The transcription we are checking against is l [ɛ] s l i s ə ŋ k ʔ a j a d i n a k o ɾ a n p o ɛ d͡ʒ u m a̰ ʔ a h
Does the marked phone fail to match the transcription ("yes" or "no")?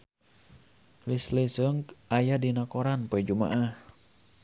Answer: yes